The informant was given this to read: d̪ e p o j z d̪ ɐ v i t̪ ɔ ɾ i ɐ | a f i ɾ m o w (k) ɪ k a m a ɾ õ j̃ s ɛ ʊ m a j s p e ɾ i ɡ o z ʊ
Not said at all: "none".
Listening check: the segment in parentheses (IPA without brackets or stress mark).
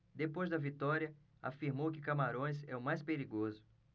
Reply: k